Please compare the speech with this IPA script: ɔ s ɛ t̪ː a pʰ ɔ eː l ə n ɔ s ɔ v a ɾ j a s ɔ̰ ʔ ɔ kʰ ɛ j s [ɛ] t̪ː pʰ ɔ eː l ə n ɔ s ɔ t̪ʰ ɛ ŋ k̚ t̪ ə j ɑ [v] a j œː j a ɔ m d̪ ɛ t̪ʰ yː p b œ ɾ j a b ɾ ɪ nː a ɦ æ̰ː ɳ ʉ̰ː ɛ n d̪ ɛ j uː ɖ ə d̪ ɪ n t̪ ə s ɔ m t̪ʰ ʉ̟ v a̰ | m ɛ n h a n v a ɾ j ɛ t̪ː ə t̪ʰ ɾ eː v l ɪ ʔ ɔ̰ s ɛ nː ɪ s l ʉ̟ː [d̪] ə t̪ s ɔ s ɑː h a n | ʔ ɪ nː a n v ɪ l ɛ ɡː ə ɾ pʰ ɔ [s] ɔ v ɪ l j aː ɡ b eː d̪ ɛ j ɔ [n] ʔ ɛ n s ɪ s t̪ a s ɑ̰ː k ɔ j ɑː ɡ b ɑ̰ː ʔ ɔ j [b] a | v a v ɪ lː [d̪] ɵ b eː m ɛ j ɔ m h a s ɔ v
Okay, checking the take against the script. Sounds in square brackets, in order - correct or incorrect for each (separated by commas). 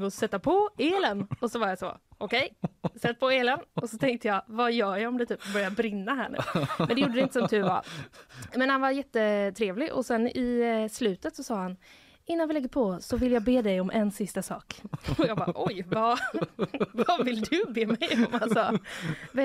correct, correct, incorrect, correct, incorrect, incorrect, correct